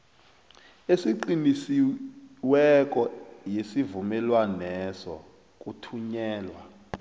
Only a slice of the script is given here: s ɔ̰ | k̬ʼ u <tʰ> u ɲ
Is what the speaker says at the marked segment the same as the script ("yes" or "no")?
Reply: yes